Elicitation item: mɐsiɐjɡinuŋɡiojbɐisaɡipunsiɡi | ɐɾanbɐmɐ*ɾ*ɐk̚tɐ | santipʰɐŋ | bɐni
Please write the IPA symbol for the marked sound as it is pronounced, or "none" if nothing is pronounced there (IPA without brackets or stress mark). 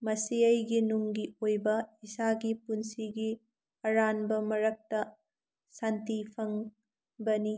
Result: ɾ